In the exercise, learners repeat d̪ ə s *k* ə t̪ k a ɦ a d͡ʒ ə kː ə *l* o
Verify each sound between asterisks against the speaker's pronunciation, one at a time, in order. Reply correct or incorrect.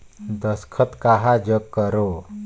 incorrect: kʰ, incorrect: ɾ

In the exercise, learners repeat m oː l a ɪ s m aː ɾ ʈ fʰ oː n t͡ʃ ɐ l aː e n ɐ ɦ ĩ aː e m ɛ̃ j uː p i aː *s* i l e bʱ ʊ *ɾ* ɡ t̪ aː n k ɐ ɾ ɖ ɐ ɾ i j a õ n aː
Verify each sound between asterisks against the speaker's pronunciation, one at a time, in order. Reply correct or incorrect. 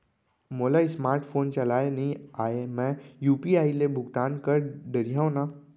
incorrect: none, incorrect: none

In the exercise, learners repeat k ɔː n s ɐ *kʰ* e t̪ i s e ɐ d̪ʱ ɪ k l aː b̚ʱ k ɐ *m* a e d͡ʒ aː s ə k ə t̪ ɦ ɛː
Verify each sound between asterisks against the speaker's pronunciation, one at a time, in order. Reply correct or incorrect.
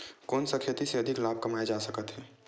correct, correct

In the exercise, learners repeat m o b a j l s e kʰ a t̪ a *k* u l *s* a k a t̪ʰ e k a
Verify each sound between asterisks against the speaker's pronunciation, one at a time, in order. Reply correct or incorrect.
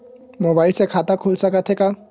incorrect: kʰ, correct

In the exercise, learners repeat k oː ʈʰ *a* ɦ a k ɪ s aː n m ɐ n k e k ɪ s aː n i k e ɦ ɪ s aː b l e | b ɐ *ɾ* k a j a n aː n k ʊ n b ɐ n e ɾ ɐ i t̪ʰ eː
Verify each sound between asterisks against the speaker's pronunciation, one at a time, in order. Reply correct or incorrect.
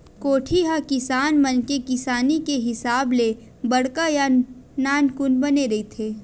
incorrect: i, incorrect: ɽ

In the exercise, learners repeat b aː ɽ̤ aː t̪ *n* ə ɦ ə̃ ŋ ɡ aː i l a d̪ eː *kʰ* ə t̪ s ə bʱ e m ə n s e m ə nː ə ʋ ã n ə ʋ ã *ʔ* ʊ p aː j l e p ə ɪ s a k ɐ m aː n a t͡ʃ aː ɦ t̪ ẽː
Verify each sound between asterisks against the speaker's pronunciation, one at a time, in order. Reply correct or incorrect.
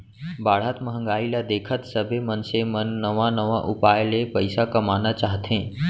incorrect: m, correct, correct

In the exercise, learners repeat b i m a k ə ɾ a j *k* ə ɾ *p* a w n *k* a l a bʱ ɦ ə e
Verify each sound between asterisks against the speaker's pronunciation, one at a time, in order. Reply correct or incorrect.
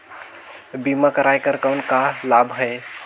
correct, incorrect: k, correct

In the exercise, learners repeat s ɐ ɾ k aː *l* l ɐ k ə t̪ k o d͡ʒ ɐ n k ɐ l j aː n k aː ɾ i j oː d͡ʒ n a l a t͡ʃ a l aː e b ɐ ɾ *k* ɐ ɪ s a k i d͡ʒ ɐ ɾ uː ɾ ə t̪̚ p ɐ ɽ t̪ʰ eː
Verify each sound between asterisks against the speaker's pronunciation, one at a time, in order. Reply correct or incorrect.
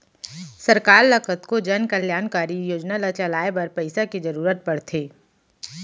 incorrect: ɾ, incorrect: p

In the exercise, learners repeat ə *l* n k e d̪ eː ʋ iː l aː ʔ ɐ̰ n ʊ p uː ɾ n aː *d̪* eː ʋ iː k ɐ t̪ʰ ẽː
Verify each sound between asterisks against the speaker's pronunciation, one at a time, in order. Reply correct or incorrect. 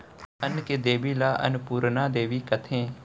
incorrect: none, correct

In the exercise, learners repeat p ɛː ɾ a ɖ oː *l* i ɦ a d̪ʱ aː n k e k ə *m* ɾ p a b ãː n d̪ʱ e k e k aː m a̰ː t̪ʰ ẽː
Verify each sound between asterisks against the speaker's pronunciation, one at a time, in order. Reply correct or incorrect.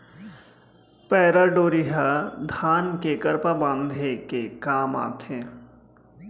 incorrect: ɾ, incorrect: none

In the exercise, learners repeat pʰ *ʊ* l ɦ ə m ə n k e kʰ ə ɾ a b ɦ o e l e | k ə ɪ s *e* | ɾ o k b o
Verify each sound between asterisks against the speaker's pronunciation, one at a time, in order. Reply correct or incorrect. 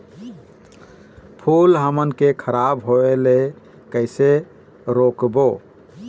incorrect: u, correct

